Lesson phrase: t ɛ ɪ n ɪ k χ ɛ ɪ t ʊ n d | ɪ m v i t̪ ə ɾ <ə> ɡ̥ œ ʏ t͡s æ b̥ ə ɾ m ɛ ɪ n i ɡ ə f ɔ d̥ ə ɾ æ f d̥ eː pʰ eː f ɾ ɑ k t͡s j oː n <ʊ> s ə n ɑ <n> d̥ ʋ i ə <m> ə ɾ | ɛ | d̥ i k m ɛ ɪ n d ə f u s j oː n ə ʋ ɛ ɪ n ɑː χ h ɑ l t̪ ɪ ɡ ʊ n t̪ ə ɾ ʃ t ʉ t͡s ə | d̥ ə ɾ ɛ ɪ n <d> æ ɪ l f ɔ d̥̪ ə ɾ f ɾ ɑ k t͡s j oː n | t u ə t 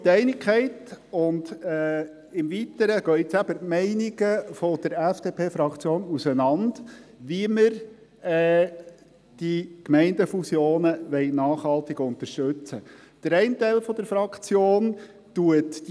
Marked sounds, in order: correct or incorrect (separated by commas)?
correct, incorrect, correct, correct, incorrect